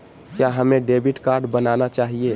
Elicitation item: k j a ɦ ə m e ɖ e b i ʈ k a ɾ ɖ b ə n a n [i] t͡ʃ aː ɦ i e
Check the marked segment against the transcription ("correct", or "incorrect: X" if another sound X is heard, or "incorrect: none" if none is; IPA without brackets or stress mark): incorrect: a